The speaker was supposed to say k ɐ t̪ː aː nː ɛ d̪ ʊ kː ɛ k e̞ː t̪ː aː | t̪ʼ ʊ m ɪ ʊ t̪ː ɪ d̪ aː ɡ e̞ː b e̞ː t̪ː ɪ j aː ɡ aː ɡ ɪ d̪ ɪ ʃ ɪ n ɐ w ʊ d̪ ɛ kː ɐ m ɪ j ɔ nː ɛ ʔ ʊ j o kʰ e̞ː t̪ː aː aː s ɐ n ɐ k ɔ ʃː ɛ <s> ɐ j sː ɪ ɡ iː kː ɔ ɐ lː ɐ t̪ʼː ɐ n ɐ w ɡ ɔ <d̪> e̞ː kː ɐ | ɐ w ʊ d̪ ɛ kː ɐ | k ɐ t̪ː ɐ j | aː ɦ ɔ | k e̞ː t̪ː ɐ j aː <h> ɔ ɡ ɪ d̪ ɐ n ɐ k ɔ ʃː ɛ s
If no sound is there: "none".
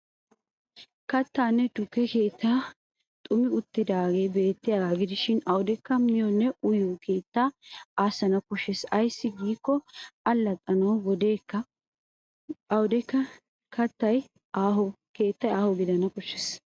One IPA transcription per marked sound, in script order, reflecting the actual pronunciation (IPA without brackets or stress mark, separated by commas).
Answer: s, d̪, h